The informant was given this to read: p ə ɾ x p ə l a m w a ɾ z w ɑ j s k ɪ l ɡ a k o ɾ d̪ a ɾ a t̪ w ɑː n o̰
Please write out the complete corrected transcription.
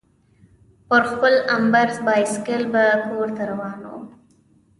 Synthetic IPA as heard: p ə ɾ x p ə l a m b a ɾ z b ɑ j s k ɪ l b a k o ɾ t̪ a ɾ a w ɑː n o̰